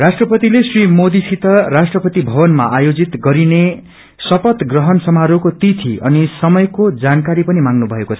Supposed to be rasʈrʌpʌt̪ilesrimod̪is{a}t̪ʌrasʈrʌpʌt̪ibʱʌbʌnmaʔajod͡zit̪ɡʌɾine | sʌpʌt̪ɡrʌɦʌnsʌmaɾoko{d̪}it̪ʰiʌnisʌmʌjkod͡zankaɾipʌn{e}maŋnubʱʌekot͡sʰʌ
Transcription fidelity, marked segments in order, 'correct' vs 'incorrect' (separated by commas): incorrect, incorrect, incorrect